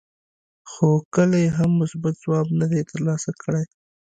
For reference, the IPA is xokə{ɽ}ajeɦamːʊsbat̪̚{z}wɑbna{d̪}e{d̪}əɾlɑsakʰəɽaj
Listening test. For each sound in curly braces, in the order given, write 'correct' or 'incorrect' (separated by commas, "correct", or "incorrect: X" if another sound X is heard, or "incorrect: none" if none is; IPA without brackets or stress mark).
incorrect: l, correct, correct, incorrect: t̪